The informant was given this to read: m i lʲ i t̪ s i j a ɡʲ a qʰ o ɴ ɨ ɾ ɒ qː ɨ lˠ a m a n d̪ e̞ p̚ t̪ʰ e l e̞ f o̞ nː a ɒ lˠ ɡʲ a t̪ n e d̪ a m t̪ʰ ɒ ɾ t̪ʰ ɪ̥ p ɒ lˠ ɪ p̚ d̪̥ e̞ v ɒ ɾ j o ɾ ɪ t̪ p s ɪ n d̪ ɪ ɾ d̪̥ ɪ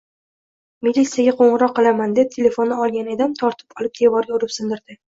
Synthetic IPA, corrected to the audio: m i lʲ i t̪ s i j a ɡʲ a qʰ o ɴ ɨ ɾ ɒ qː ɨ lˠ a m a n d̪ e̞ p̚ t̪ʰ e l e̞ f o̞ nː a ɒ lˠ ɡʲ a n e d̪ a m t̪ʰ ɒ ɾ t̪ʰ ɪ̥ p ɒ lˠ ɪ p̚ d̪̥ e̞ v ɒ ɾ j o ɾ ɪ p s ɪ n d̪ ɪ ɾ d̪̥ ɪ